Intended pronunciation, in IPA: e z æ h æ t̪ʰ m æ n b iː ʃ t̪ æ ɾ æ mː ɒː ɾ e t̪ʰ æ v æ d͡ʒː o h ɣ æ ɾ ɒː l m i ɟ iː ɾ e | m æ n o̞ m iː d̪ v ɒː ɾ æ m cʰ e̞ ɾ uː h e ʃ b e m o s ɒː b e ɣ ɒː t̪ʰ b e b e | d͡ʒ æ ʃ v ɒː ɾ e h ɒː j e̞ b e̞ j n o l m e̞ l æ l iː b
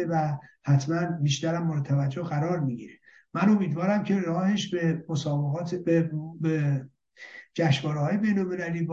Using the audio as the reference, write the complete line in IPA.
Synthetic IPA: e v æ h æ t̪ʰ m æ n b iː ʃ t̪ æ ɾ æ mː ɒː ɾ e t̪ʰ æ v æ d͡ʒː o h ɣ æ ɾ ɒː ɾ m i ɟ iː ɾ e | m æ n o̞ m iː d̪ v ɒː ɾ æ m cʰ e̞ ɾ ɒː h e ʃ b e m o s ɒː b e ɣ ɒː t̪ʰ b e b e | d͡ʒ æ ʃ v ɒː ɾ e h ɒː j e̞ b e̞ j n o l m e̞ l æ l iː b